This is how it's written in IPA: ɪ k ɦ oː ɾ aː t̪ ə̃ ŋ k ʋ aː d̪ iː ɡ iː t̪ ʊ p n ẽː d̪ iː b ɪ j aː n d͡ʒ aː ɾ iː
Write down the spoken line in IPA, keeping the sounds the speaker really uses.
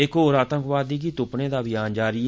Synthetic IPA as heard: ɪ k ɦ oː ɾ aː t̪ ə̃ ŋ k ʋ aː d̪ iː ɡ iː t̪ ʊ p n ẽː d̪ aː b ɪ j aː n d͡ʒ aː ɾ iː